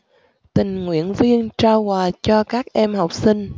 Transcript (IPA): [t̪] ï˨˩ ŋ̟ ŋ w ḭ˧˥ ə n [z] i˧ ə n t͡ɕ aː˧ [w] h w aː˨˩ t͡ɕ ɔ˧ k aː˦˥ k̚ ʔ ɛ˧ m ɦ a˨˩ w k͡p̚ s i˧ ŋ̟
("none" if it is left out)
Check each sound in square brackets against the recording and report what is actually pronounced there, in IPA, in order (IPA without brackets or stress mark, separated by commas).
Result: t̪, v, w